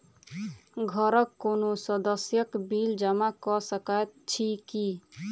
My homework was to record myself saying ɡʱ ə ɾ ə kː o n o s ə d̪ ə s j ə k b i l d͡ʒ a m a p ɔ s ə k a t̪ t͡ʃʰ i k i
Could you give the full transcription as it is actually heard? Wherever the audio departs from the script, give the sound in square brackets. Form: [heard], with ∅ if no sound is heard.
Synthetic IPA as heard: ɡʱ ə ɾ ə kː o n o s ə d̪ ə s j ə k b i l d͡ʒ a m a [k] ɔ s ə k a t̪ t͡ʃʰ i k i